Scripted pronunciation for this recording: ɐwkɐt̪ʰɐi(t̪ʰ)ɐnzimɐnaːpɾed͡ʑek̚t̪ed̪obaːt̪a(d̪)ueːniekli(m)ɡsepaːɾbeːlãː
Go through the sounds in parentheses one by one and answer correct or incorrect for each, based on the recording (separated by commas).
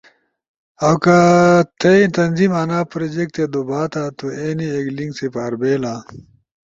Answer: incorrect, incorrect, incorrect